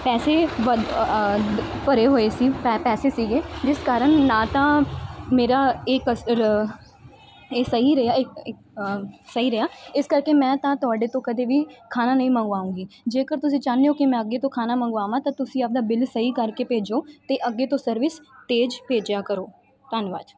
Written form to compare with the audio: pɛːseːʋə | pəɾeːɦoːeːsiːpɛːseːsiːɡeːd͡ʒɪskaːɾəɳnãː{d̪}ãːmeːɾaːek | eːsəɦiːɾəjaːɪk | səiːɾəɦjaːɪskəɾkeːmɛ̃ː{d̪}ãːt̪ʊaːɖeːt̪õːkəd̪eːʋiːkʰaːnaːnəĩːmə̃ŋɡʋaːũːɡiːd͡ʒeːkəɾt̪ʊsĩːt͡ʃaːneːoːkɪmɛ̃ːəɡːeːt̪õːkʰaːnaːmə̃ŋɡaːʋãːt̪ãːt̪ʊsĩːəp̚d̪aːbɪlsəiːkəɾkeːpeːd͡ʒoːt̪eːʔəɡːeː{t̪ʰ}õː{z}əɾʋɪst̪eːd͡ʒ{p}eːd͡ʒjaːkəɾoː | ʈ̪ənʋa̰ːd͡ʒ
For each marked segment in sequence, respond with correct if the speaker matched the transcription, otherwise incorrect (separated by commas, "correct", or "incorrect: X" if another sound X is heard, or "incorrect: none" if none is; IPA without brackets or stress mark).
incorrect: t̪, incorrect: t̪, incorrect: t̪, incorrect: s, correct